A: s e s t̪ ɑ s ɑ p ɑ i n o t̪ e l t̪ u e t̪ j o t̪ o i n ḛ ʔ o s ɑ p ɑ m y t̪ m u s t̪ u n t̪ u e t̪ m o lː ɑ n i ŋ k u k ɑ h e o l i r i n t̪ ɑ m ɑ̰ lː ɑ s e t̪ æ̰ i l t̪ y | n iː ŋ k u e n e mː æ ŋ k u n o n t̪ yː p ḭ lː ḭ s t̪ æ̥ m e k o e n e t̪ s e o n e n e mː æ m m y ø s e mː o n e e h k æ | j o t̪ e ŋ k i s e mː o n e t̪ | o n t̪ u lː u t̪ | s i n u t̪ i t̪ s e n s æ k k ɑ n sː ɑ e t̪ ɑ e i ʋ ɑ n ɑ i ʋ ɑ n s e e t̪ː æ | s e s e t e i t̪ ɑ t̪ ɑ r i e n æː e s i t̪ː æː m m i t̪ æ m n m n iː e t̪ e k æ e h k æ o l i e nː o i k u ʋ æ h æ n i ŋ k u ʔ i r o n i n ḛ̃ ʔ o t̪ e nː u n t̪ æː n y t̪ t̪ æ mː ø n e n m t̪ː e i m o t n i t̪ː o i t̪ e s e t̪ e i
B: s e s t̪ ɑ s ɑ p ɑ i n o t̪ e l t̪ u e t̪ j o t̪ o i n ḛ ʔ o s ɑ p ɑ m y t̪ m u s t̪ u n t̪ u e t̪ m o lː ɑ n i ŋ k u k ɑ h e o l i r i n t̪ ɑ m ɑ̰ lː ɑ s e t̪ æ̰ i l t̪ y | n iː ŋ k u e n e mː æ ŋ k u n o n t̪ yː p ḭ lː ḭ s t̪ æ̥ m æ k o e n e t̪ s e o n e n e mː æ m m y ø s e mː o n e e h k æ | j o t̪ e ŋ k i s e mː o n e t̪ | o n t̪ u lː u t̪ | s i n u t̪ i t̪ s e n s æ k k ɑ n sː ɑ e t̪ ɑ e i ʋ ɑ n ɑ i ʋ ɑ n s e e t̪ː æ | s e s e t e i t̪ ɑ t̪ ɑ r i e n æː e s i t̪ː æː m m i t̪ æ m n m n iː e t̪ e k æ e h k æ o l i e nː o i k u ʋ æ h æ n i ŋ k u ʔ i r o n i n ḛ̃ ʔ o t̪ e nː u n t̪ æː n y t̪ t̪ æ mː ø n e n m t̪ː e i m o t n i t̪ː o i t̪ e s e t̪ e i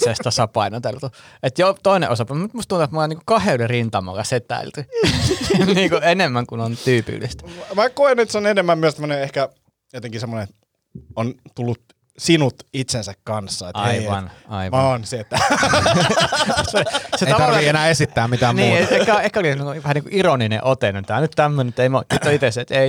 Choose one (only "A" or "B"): B